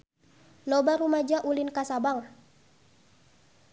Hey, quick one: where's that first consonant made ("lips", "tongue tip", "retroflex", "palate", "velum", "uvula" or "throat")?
tongue tip